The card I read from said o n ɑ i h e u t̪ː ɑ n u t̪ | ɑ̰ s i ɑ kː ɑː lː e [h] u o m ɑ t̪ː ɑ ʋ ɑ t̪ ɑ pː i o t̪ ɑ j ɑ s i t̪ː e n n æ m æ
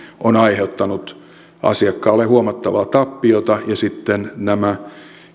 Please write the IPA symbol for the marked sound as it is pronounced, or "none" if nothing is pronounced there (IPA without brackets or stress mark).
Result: h